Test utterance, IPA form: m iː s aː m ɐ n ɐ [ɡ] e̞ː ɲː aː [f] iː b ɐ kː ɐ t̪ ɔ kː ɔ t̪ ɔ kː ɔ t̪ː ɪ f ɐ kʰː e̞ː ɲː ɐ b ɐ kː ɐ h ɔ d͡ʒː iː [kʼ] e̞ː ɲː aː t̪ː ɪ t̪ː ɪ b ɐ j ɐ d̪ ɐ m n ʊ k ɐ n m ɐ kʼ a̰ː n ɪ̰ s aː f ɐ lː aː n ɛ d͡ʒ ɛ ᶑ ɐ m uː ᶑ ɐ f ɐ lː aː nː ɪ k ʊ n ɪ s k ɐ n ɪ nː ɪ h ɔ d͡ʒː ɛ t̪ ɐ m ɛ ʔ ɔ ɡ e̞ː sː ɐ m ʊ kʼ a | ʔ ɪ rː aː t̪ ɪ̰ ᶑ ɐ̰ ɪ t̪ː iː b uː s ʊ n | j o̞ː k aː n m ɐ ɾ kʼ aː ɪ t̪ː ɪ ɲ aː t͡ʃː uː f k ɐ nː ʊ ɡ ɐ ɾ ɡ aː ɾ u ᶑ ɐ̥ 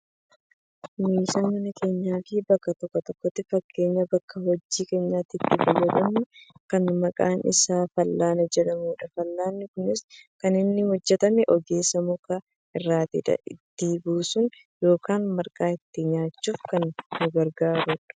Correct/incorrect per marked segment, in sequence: incorrect: k, correct, incorrect: k

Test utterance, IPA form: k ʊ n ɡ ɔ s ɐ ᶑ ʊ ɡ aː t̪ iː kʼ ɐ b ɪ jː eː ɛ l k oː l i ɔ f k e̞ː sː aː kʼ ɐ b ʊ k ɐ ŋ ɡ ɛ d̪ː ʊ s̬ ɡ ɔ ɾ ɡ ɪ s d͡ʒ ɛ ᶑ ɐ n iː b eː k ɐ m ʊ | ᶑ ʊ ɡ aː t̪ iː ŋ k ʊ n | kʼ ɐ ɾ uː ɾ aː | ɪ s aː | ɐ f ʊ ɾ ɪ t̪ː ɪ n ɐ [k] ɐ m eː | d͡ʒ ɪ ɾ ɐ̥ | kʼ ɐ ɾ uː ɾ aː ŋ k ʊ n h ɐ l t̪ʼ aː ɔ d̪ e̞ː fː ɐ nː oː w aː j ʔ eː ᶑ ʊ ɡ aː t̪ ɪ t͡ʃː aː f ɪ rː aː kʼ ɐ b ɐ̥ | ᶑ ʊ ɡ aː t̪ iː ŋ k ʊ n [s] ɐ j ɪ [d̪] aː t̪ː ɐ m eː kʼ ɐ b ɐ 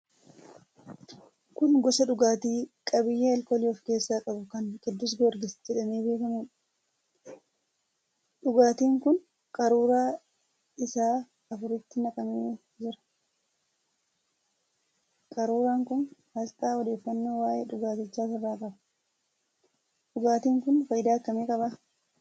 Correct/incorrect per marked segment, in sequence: incorrect: kʼ, incorrect: f, correct

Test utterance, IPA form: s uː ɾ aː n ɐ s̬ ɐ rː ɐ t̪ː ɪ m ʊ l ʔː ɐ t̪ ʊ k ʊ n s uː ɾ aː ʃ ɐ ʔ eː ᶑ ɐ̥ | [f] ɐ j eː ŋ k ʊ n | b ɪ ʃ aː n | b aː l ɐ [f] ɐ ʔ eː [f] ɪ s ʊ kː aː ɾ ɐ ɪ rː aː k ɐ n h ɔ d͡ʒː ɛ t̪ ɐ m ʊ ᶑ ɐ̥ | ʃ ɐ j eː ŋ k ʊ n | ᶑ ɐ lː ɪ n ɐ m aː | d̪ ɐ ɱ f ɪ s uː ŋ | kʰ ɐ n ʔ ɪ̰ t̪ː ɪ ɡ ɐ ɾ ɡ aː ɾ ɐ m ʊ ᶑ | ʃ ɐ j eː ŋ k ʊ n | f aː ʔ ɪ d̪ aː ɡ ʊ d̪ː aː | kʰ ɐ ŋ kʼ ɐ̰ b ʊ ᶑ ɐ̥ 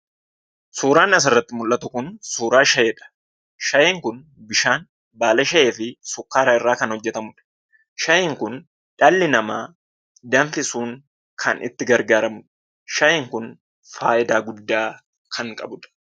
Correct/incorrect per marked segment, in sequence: incorrect: ʃ, incorrect: ʃ, correct

